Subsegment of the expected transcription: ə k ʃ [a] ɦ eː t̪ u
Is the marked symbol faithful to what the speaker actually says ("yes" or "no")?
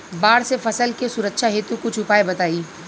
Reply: yes